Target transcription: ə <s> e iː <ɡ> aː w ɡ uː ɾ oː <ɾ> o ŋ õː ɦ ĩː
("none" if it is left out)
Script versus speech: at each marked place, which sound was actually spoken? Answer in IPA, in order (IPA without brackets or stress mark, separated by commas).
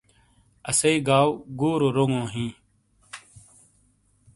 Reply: s, ɡ, ɾ